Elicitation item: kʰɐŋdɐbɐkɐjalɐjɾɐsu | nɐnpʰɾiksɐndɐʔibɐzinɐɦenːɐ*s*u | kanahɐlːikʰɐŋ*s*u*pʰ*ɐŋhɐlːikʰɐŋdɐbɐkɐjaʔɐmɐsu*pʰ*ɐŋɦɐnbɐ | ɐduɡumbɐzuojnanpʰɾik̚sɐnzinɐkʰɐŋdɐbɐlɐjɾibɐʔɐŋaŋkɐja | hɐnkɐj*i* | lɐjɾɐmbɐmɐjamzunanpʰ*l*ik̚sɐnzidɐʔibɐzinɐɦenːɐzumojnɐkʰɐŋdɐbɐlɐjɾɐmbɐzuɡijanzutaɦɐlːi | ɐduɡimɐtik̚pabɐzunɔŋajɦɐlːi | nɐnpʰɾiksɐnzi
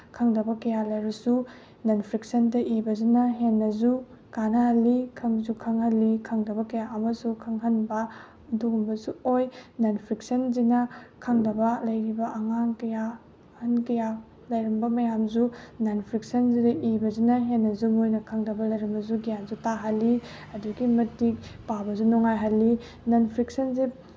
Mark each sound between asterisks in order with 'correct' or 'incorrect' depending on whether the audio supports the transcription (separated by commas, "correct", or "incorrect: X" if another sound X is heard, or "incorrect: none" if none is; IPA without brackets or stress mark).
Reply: incorrect: z, incorrect: z, incorrect: kʰ, incorrect: kʰ, incorrect: a, incorrect: ɾ